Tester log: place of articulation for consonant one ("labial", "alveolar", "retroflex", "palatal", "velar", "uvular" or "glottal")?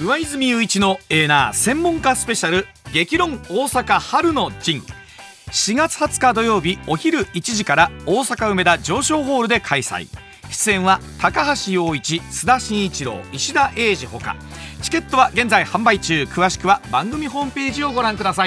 labial